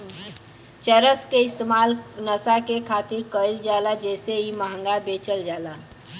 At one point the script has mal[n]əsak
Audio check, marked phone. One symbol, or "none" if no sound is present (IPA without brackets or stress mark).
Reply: n